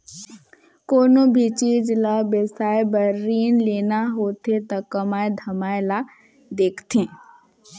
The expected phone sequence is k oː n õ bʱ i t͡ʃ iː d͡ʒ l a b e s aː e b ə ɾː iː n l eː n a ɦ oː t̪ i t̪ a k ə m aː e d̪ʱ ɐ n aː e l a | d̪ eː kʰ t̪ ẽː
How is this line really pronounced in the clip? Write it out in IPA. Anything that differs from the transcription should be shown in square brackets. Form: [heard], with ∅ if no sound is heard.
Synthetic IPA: k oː n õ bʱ i t͡ʃ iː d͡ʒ l a b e s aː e b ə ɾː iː n l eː n a ɦ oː t̪ [e] t̪ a k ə m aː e d̪ʱ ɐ [m] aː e l a | d̪ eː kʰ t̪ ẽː